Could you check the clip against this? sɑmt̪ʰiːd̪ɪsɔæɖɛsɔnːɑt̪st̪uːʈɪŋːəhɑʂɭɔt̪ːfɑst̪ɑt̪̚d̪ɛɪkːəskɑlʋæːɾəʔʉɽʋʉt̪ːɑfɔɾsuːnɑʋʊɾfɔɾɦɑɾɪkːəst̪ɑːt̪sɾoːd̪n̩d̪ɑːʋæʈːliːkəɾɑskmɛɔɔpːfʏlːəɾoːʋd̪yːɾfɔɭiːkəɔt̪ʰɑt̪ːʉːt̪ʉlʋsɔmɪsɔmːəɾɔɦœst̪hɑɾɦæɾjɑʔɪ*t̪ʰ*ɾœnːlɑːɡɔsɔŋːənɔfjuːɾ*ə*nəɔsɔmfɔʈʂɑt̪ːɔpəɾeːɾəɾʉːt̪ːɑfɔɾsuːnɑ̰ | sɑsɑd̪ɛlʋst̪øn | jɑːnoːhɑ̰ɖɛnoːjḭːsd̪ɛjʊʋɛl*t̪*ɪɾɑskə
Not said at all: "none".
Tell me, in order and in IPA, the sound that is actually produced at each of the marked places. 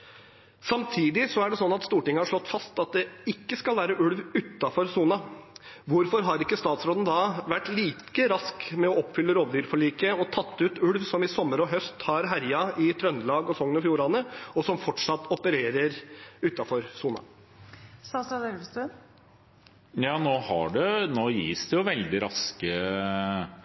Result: t̪ʰ, ɑ, d̪

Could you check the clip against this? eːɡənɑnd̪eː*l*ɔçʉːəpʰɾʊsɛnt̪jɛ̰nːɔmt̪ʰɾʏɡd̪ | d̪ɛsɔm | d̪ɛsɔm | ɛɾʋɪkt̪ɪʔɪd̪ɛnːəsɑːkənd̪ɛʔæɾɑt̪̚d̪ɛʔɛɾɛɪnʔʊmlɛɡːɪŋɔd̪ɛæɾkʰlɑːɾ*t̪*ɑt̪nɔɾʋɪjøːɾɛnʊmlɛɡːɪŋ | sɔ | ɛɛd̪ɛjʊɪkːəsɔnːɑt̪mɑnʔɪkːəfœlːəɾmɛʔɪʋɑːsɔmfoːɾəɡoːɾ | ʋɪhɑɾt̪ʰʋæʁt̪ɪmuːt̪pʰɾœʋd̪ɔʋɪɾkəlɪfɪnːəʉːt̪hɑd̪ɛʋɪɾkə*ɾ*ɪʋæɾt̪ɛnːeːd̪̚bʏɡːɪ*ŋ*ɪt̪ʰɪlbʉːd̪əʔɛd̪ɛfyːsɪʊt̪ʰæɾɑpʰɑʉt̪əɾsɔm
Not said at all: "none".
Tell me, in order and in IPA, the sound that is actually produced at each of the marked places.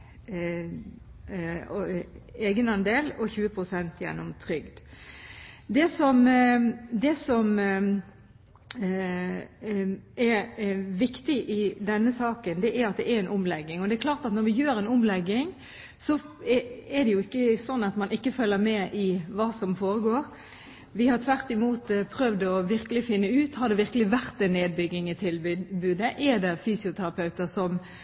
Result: l, t̪, l, ŋ

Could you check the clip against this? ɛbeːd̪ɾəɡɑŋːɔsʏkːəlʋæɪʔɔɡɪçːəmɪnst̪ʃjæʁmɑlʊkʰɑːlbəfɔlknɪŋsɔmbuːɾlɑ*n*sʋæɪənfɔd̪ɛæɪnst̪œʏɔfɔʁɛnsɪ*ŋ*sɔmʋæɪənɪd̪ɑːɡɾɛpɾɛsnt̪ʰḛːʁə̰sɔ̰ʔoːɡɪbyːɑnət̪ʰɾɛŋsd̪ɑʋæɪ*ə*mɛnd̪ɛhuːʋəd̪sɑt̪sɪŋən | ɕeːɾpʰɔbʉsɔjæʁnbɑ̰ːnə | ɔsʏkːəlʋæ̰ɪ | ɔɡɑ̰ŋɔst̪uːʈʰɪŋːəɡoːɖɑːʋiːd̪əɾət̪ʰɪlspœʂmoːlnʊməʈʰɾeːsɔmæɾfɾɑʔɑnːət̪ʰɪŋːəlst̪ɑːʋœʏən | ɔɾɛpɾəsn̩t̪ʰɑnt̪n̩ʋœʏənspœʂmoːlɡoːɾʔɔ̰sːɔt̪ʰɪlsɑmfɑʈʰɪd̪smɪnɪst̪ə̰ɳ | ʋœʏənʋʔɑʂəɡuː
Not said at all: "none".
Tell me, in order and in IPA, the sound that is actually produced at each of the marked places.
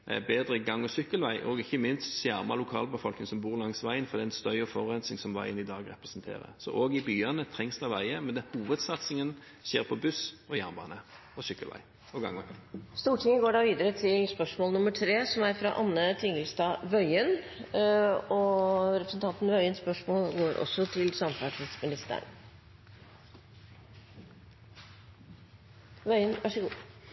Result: ŋ, ŋ, ə

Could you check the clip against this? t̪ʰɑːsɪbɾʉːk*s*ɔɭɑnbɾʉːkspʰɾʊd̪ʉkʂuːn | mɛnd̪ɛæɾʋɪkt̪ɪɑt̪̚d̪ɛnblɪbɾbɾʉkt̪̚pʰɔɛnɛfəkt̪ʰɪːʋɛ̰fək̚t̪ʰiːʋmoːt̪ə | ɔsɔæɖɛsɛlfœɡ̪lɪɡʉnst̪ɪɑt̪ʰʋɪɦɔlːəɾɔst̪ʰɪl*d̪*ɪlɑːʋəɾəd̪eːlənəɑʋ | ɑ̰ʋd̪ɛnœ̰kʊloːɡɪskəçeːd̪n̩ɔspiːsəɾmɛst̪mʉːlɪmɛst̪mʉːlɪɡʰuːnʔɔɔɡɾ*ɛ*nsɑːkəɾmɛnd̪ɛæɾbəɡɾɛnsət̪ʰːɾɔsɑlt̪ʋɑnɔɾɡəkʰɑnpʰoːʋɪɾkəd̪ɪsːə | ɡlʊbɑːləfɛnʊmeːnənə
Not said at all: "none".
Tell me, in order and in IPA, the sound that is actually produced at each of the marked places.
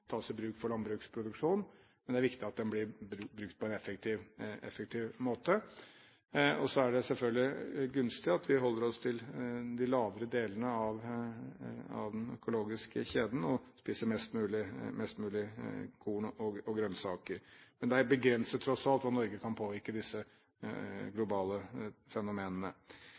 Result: f, d̪, œ

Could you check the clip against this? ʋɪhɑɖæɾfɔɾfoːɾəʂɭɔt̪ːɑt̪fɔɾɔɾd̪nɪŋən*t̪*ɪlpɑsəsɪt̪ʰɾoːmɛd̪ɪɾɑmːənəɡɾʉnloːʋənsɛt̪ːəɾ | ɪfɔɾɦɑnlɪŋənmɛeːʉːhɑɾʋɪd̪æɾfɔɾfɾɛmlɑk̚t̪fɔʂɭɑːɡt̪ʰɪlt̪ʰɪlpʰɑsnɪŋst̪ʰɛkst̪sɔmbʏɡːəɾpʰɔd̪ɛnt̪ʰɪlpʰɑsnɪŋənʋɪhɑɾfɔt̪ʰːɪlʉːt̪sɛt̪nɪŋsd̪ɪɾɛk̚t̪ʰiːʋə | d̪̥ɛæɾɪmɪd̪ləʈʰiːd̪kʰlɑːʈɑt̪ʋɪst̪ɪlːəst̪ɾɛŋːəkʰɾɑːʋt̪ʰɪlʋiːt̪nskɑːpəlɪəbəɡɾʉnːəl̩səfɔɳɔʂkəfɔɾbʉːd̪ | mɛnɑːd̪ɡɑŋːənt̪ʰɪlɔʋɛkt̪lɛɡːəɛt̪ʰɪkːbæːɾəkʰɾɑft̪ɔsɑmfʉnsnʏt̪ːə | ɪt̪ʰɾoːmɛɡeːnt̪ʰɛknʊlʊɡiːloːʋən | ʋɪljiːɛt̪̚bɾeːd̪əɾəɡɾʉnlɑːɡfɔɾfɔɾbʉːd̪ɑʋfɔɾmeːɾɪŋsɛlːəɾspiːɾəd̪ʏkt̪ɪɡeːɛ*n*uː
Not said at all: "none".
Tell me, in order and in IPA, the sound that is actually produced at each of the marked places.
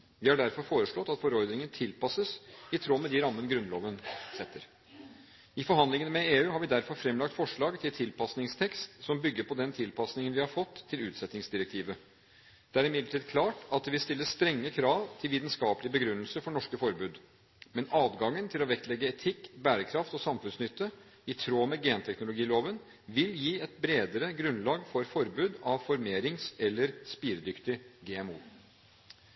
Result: t̪ʰ, m

